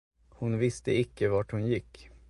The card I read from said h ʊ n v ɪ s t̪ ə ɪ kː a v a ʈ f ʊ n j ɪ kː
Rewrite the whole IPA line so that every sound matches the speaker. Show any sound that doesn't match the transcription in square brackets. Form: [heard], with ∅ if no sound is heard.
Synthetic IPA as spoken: h ʊ n v ɪ s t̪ ə ɪ kː [ə] v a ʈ [h] ʊ n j ɪ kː